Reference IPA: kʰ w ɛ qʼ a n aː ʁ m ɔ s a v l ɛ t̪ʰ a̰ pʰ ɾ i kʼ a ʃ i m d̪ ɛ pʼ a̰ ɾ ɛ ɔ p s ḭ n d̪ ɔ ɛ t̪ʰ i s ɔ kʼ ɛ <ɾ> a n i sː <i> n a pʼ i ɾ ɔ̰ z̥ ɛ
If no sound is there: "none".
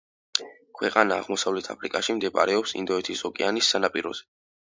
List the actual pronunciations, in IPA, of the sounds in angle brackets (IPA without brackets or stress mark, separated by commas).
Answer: none, a